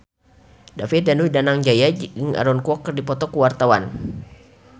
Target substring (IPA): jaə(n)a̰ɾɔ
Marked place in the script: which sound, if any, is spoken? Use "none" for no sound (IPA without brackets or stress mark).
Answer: ŋ